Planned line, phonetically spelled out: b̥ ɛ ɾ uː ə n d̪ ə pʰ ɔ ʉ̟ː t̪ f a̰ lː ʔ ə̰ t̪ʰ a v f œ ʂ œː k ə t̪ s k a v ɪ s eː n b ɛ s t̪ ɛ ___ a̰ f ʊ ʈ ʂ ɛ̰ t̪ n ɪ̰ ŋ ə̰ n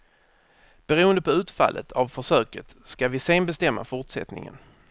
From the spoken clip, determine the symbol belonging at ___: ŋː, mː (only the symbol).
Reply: mː